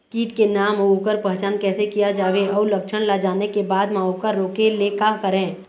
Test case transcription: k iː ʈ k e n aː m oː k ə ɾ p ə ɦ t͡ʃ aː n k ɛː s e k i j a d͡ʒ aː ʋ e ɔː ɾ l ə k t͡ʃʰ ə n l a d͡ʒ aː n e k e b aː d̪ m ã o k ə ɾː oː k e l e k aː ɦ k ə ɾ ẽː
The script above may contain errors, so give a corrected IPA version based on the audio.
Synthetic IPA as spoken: k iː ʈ k e n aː m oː k ə ɾ p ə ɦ t͡ʃ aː n k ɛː s e k i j a d͡ʒ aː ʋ e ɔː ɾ l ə k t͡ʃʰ ə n l a d͡ʒ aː n e k e b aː d̪ m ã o k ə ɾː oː k e l e k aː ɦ k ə ɾ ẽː